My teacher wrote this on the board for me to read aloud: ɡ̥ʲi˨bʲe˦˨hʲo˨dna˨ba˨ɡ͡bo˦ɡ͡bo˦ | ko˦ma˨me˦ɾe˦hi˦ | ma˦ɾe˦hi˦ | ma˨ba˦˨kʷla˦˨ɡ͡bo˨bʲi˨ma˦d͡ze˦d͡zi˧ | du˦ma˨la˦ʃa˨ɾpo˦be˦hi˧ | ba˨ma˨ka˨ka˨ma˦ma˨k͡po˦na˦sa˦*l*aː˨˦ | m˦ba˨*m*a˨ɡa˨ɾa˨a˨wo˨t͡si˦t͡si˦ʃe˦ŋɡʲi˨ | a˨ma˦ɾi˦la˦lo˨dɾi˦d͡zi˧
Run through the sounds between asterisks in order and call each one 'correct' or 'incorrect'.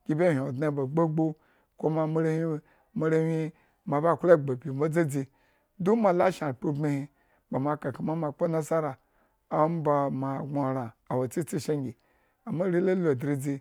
incorrect, correct

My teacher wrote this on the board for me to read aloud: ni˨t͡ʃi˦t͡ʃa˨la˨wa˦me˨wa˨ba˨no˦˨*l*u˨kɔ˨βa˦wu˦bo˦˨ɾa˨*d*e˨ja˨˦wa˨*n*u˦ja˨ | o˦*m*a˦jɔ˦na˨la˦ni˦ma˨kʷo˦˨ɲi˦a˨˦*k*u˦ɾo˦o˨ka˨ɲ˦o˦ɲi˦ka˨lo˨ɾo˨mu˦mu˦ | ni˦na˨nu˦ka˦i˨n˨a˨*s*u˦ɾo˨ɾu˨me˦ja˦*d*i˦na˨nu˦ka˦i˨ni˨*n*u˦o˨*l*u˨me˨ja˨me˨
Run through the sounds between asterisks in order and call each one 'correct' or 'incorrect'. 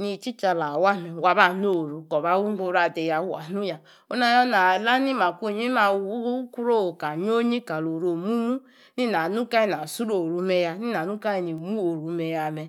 incorrect, correct, correct, incorrect, correct, correct, incorrect, incorrect, incorrect

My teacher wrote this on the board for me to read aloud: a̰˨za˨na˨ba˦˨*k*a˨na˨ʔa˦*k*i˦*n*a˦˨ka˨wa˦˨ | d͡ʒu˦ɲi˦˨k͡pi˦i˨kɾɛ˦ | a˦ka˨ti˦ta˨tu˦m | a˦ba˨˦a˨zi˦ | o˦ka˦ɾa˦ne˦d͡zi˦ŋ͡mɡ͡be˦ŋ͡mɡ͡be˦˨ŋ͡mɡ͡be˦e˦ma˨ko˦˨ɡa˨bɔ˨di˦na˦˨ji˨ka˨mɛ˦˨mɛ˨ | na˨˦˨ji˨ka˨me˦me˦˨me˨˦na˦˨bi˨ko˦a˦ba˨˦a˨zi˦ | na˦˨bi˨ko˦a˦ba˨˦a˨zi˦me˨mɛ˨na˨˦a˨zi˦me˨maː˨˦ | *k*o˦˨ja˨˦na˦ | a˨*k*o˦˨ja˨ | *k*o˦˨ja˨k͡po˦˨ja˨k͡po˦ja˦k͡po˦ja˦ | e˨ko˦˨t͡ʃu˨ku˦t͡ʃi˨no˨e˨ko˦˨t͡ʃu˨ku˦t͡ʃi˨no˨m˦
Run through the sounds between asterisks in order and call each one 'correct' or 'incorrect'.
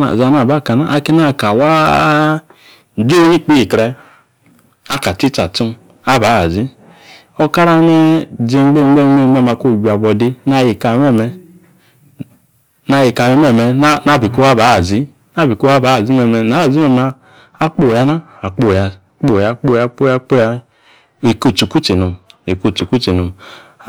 correct, correct, correct, incorrect, incorrect, incorrect

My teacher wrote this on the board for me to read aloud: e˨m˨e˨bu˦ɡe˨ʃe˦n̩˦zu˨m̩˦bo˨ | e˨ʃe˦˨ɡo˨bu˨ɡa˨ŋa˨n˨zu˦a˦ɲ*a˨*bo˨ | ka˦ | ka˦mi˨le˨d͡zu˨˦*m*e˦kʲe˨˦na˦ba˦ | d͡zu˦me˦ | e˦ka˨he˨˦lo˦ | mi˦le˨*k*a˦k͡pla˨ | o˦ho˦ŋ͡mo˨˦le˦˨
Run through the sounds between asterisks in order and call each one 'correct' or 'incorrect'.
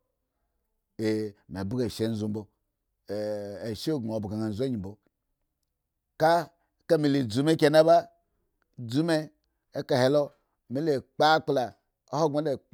incorrect, correct, incorrect

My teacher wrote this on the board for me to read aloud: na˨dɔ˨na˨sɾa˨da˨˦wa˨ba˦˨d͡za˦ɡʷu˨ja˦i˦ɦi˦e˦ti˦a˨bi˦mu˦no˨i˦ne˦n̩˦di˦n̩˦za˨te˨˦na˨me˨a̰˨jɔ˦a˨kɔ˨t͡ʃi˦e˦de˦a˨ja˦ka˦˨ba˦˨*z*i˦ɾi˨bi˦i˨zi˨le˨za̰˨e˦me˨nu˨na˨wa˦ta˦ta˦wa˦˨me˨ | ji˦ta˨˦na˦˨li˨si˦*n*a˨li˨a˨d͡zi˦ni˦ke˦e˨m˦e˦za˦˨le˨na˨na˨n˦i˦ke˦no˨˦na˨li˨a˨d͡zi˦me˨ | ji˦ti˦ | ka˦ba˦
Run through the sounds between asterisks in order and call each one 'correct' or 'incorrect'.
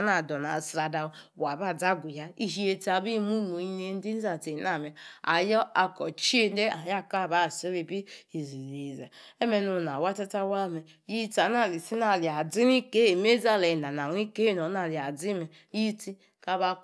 incorrect, correct

